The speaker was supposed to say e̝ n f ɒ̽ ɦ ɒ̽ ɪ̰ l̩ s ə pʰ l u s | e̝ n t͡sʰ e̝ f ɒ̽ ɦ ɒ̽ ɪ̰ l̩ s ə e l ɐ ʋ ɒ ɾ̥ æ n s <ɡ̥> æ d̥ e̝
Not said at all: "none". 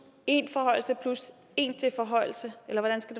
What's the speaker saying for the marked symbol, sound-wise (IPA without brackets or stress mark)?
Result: ɡ̥